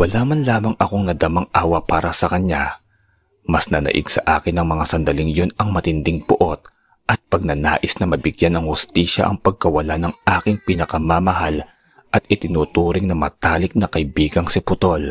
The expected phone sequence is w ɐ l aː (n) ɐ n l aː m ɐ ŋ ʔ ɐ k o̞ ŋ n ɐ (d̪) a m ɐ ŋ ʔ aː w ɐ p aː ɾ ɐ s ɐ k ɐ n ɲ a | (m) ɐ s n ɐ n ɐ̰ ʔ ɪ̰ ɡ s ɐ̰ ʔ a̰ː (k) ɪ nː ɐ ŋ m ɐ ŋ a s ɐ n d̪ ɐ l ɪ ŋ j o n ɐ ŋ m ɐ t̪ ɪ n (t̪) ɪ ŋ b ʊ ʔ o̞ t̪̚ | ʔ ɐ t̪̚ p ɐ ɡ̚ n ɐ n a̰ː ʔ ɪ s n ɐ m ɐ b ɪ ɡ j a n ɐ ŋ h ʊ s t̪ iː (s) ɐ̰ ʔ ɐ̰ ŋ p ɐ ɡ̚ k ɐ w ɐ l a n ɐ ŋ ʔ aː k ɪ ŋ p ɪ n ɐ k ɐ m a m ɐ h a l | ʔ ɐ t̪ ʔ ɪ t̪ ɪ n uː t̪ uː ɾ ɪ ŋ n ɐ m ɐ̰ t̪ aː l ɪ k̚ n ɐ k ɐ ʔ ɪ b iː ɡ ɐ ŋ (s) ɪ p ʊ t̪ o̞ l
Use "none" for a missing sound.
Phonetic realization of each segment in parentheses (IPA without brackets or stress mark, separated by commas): m, d̪, m, k, d̪, ʃ, s